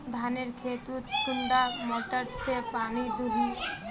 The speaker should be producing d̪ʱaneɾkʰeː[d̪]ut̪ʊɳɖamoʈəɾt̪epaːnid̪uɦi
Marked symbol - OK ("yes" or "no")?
no